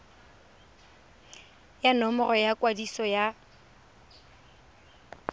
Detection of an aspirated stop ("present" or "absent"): absent